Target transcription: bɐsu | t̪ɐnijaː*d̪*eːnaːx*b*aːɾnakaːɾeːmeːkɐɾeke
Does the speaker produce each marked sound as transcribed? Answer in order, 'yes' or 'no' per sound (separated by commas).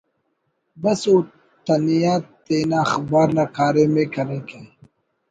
no, yes